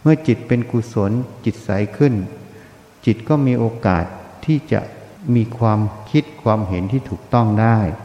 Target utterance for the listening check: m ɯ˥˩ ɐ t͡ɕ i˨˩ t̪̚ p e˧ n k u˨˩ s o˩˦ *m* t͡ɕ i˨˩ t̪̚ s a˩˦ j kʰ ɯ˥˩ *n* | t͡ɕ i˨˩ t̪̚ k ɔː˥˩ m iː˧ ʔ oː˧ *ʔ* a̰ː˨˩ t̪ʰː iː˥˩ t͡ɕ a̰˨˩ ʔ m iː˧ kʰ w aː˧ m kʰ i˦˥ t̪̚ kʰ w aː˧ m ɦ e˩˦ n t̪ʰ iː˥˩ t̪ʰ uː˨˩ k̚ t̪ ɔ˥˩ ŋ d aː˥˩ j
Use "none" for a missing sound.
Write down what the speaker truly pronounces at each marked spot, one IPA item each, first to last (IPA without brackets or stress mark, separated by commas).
n, n, k